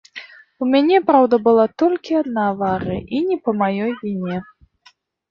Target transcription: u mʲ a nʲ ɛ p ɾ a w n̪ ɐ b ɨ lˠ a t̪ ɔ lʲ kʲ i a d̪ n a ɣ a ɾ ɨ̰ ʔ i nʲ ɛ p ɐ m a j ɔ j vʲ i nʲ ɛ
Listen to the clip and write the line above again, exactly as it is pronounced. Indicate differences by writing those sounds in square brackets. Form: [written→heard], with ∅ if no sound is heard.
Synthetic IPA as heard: u mʲ a nʲ ɛ p ɾ a w [n̪→d̪] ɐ b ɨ lˠ a t̪ ɔ lʲ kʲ i a d̪ n a [ɣ→v] a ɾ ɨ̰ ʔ i nʲ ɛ p ɐ m a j ɔ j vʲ i nʲ ɛ